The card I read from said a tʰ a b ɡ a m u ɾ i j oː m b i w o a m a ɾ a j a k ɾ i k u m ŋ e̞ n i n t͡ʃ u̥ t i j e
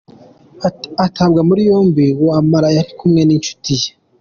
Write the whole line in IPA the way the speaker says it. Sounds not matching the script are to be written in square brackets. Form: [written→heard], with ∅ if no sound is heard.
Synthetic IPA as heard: a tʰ a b ɡ a m u ɾ i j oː m b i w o a m a ɾ a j a [k→∅] ɾ i k u m ŋ e̞ n i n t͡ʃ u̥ t i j e